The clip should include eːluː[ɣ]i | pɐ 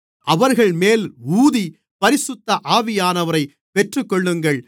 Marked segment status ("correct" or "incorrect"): incorrect